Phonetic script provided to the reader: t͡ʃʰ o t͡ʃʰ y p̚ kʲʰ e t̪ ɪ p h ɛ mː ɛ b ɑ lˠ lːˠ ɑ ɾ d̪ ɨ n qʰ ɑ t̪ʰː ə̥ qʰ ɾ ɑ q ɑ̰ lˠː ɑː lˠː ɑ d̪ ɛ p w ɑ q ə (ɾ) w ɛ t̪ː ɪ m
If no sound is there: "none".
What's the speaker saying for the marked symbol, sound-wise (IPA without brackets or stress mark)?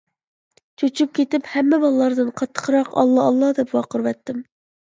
ɾ